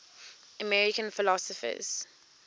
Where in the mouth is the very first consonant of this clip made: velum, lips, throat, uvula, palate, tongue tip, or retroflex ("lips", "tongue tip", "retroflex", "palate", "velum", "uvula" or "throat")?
lips